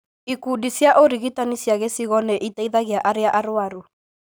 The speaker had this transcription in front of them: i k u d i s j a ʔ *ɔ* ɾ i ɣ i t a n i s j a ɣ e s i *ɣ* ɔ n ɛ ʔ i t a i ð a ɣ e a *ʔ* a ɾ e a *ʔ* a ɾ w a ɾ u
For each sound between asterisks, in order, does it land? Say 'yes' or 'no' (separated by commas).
no, yes, yes, yes